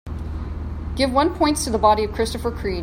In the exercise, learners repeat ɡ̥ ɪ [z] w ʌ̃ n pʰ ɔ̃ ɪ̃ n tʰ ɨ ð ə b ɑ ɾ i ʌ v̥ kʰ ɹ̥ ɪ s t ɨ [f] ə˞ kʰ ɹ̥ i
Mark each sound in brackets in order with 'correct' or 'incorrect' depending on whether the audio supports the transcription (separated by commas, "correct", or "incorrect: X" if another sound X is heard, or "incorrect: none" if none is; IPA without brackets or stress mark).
incorrect: v, correct